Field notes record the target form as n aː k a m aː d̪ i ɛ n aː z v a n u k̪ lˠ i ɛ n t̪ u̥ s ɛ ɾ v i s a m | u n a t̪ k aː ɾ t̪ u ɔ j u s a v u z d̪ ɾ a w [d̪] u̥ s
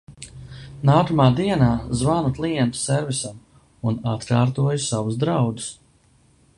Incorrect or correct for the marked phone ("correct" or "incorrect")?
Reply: correct